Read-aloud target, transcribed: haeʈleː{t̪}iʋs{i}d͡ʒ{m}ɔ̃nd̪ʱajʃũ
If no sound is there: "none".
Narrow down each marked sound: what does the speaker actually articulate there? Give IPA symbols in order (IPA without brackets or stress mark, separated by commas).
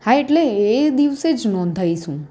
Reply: d̪, e, n